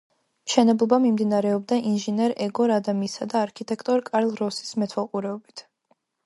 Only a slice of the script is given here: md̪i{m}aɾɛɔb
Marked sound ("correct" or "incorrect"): incorrect